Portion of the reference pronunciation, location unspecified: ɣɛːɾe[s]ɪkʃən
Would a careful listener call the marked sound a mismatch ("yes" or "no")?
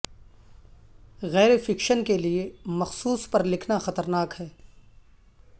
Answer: yes